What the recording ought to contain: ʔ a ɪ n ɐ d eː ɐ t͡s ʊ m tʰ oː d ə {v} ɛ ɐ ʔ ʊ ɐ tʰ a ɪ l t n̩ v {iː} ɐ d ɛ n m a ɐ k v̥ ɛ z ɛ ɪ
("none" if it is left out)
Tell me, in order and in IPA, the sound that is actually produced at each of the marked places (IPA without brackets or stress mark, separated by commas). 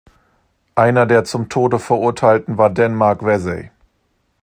f, aː